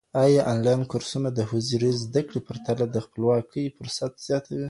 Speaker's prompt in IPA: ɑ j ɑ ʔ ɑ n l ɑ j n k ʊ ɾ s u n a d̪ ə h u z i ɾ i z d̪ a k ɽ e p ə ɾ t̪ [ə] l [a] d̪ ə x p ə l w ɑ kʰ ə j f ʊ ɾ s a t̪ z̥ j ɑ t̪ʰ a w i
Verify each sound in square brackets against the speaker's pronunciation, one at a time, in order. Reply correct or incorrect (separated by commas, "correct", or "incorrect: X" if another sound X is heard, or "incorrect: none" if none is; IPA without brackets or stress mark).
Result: incorrect: a, correct